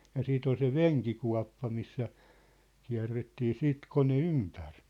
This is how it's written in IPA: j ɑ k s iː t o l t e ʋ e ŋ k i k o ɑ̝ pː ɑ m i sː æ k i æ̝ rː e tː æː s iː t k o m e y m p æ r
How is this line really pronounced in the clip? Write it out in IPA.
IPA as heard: j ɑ s iː t o l s e ʋ e ŋ k i k u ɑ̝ pː ɑ m i sː æ k i æ̝ rː e tː iː s iː t k o n e y m p æ r